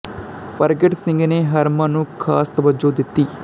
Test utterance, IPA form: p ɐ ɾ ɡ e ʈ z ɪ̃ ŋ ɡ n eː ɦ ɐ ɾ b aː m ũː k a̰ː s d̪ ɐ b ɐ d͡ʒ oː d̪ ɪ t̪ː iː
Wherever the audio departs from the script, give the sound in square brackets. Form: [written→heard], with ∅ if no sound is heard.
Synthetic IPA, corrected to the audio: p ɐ ɾ ɡ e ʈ [z→s] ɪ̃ ŋ ɡ n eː ɦ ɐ ɾ [b→m] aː [m→n] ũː [k→kʰ] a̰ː s [d̪→t̪] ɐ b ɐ d͡ʒ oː d̪ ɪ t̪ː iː